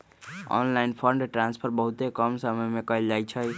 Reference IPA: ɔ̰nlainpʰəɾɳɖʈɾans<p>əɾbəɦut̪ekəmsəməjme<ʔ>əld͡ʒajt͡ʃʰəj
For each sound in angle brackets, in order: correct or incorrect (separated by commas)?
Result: incorrect, incorrect